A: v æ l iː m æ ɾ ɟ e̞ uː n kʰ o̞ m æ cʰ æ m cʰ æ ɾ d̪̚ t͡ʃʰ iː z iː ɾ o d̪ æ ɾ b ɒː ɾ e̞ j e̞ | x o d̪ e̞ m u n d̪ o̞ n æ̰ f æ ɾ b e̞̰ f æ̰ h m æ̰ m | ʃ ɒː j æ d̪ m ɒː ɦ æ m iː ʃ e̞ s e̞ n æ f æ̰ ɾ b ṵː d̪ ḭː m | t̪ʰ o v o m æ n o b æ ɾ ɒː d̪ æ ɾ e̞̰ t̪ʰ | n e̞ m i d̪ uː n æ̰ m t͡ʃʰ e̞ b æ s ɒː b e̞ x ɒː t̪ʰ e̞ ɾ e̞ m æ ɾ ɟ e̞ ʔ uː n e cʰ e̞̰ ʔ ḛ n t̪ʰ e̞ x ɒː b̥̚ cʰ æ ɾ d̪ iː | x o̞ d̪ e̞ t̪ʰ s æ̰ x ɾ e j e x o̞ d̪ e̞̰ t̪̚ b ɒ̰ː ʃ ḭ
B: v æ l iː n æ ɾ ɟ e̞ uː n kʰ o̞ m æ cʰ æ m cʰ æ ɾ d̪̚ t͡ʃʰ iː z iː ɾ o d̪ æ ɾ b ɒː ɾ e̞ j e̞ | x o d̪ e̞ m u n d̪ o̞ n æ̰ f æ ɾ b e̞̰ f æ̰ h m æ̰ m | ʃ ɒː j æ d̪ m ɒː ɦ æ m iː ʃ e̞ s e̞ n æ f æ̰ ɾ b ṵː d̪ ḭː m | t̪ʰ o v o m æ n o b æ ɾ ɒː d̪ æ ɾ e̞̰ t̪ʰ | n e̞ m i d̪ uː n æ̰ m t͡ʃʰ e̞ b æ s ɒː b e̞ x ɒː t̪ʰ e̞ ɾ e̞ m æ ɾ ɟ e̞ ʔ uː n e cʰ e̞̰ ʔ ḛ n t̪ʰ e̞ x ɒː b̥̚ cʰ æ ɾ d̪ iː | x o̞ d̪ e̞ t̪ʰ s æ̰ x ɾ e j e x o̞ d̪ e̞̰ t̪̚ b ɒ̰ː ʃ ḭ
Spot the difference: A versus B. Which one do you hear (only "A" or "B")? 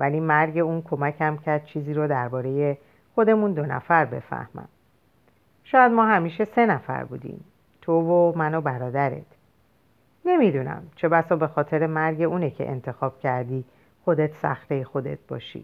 A